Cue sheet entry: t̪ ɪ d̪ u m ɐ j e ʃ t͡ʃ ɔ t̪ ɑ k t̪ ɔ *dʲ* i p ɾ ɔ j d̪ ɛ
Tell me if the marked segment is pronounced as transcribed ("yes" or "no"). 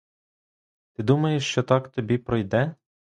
no